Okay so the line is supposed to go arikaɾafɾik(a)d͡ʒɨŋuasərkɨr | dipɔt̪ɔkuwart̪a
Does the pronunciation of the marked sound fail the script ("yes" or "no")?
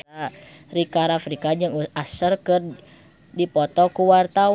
no